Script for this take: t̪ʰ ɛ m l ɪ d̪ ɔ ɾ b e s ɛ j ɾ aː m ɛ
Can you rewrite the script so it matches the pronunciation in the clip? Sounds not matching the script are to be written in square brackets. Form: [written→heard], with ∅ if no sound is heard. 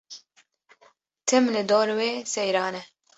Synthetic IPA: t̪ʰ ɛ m l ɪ d̪ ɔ ɾ [b→w] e s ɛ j ɾ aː [m→n] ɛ